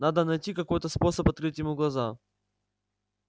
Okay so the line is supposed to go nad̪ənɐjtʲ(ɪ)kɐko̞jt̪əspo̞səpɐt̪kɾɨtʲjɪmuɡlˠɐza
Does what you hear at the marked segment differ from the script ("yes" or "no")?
yes